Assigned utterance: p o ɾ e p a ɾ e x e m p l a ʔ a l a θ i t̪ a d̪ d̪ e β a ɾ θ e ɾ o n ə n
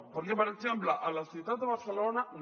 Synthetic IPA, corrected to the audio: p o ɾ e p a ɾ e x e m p l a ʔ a l a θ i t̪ a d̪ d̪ e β a ɾ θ e l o n a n